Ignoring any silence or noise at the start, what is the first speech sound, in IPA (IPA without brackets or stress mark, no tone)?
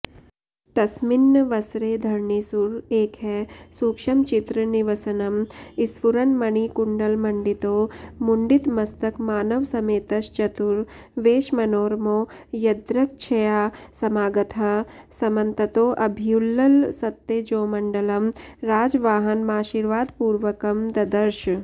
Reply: t̪